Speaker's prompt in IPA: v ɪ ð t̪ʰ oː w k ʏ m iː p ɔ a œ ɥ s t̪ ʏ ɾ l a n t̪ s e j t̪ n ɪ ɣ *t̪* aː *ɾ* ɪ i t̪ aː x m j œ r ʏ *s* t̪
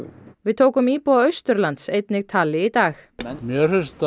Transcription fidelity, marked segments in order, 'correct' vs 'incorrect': incorrect: t̪ʰ, incorrect: l, correct

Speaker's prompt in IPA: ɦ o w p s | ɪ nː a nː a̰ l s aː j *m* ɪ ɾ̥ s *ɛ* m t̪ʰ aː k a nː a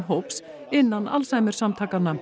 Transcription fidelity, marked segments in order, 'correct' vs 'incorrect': correct, incorrect: a

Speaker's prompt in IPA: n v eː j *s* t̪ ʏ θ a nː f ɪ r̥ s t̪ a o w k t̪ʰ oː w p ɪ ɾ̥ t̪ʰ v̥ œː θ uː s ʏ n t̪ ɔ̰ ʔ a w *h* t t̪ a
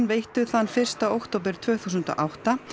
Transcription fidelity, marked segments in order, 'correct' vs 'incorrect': incorrect: h, correct

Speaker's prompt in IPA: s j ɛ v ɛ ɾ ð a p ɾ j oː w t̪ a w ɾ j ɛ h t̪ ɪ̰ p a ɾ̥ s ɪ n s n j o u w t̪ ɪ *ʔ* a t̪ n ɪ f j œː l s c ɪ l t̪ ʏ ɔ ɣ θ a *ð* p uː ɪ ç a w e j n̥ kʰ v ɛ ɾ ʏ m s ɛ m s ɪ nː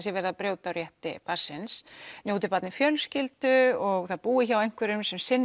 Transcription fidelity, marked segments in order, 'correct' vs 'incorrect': incorrect: p, correct

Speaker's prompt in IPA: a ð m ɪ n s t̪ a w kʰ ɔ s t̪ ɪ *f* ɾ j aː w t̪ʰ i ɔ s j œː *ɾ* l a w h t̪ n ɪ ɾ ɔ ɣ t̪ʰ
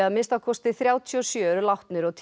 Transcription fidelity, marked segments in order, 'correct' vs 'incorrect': incorrect: θ, correct

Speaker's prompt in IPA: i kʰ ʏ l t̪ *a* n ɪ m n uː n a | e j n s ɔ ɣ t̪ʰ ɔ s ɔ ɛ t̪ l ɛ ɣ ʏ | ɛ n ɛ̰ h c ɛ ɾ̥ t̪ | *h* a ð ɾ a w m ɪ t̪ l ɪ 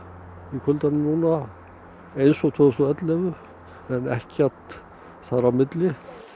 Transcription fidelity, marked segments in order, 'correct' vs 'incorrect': correct, incorrect: θ

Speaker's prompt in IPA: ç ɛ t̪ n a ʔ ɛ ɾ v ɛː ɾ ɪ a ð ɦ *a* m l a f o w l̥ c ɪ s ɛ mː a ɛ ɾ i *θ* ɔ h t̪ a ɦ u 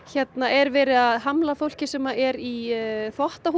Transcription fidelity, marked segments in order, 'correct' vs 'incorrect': correct, correct

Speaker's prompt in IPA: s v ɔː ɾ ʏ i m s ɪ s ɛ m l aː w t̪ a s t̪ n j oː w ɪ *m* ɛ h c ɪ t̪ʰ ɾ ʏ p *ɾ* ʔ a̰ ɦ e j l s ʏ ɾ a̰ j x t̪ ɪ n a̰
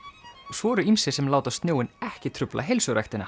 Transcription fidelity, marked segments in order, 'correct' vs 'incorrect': incorrect: n, incorrect: l

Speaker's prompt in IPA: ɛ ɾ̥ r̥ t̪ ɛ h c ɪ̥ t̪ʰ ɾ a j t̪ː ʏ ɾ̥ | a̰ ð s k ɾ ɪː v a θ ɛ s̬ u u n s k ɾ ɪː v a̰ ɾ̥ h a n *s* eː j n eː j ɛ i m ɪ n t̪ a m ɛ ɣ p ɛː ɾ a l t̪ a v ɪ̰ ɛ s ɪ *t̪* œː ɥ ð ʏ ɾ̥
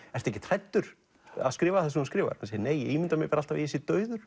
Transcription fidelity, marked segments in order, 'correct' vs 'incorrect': correct, correct

